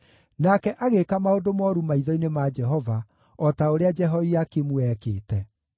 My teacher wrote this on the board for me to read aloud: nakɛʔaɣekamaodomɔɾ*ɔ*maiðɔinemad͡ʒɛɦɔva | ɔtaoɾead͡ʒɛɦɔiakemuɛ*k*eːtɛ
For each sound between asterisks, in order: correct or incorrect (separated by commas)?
incorrect, correct